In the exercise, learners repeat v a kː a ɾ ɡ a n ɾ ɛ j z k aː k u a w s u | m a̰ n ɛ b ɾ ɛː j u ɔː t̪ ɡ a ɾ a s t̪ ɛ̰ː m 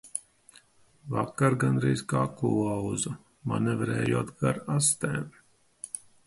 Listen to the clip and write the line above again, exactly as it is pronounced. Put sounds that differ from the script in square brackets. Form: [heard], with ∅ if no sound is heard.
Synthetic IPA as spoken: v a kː a ɾ ɡ a n ɾ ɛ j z k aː k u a w [z] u | m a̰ n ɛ [v] ɾ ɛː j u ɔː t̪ ɡ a ɾ a s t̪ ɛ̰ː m